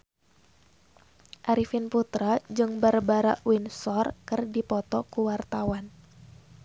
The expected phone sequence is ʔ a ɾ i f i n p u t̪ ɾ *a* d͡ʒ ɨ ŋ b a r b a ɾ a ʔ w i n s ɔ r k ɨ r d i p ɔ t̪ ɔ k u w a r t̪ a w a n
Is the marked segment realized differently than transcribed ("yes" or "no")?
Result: no